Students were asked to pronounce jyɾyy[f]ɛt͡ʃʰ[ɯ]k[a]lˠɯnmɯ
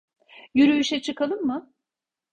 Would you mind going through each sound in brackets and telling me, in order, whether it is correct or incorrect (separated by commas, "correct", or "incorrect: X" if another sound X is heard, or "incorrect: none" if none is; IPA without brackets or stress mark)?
incorrect: ʃ, correct, correct